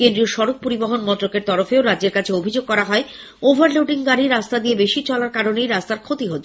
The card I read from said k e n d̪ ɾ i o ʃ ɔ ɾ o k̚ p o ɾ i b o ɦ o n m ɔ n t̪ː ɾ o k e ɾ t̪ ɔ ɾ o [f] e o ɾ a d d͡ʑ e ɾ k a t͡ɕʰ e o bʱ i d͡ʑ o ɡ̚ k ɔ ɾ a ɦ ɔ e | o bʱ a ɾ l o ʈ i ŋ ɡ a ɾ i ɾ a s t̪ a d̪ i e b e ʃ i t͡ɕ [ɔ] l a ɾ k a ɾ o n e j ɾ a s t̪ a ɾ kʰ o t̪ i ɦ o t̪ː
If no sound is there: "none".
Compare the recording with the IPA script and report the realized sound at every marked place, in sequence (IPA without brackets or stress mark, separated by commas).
f, ɔ